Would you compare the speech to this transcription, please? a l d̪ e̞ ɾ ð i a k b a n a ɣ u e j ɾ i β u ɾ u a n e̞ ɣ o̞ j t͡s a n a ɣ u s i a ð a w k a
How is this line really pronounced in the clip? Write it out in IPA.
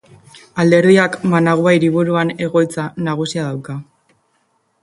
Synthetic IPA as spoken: a l d̪ e̞ ɾ ð i a k m a n a ɣ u a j ɾ i β u ɾ u a n e̞ ɣ o̞ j t͡s a n a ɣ u s i a ð a w k a

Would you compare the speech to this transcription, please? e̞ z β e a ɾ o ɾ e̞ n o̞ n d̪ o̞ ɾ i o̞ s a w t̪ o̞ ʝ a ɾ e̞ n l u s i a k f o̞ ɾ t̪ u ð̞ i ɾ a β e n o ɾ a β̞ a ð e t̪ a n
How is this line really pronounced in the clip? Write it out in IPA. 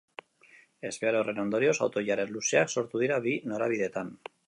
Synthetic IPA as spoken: e̞ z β e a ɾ o r e̞ n o̞ n d̪ o̞ ɾ i o̞ s a w t̪ o̞ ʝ a ɾ e̞ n l u s e a k s o̞ ɾ t̪ u ð̞ i ɾ a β i n o ɾ a β̞ i ð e t̪ a n

